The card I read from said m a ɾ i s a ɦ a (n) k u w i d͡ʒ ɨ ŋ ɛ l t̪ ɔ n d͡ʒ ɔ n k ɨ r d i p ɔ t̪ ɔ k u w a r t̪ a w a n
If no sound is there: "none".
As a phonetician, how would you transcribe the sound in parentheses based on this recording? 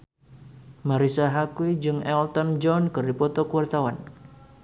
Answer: none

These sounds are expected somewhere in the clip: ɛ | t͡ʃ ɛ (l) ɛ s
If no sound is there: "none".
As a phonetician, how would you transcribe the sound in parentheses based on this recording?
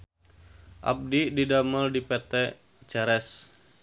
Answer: ɾ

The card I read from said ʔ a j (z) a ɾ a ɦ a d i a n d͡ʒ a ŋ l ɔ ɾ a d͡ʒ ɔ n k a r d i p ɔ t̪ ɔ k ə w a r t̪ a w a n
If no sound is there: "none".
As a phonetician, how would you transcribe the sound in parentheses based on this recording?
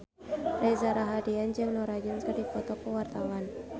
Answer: z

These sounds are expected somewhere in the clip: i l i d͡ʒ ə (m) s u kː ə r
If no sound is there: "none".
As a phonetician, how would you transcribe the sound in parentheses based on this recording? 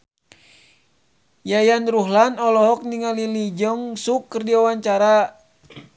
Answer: ŋ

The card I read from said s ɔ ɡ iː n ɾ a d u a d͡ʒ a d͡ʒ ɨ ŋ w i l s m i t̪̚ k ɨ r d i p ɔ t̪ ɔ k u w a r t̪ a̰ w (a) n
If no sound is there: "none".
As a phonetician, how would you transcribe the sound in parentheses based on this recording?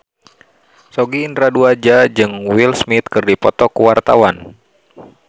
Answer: a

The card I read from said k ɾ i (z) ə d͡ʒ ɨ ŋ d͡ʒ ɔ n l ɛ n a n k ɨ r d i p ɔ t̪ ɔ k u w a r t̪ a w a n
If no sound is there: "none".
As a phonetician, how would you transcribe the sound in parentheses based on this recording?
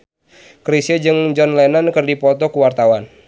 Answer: s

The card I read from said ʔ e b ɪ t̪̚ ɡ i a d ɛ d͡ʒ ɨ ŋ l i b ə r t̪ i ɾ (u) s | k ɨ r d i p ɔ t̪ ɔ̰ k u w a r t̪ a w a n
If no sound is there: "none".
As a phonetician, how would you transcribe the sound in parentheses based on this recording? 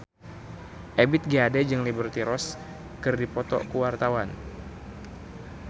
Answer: ɔ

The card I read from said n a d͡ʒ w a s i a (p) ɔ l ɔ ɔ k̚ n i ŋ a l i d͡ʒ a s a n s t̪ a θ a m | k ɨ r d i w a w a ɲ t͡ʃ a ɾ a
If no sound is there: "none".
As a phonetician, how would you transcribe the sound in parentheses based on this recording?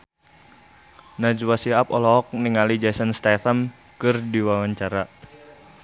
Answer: p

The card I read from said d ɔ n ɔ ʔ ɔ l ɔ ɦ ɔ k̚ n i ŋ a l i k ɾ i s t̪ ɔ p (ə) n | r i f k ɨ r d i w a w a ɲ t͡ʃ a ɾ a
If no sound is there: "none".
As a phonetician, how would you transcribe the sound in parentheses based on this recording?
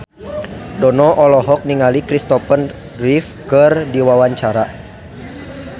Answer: ə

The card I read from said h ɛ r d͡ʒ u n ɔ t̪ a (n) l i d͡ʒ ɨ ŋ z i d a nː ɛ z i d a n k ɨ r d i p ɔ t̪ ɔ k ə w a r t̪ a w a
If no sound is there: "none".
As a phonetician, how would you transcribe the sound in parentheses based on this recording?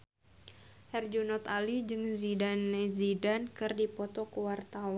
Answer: none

